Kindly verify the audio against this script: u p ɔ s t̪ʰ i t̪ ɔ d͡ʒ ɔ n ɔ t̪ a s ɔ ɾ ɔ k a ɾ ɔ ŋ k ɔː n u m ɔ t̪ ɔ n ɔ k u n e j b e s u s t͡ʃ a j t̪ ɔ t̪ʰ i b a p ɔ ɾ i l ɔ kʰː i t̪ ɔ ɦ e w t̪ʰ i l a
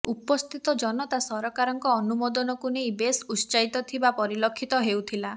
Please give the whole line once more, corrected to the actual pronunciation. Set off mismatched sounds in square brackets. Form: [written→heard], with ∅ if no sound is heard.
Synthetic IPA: u p ɔ s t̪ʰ i t̪ ɔ d͡ʒ ɔ n ɔ t̪ a s ɔ ɾ ɔ k a ɾ ɔ ŋ k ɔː n u m ɔ [t̪→d̪] ɔ n ɔ k u n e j b e s u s t͡ʃ a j t̪ ɔ t̪ʰ i b a p ɔ ɾ i l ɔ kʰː i t̪ ɔ ɦ e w t̪ʰ i l a